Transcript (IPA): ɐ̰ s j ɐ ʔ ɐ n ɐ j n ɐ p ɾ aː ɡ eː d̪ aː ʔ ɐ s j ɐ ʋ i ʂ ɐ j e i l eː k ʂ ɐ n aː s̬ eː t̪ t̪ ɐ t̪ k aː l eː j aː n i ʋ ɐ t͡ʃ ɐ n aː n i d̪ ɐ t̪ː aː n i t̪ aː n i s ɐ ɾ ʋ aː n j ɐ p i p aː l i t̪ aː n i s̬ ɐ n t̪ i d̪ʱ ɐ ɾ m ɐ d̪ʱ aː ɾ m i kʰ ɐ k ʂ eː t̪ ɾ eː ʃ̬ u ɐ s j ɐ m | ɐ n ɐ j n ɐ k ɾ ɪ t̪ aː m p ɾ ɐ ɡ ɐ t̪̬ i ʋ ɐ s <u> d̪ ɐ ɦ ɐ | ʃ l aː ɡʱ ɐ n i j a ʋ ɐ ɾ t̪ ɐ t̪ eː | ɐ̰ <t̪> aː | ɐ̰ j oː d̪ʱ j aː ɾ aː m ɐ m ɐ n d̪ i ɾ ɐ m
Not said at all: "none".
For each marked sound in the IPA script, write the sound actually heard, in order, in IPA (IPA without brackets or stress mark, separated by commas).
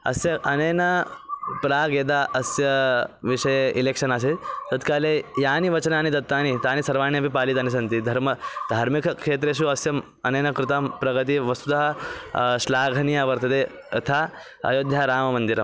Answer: u, t̪ʰ